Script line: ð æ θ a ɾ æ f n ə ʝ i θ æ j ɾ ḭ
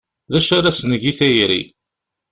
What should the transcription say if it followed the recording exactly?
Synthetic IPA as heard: ð æ ʃ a ɾ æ s n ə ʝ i θ æ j ɾ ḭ